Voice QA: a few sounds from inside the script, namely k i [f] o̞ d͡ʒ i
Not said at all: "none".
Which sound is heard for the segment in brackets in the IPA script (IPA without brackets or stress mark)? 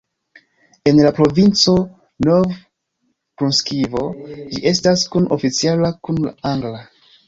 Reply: v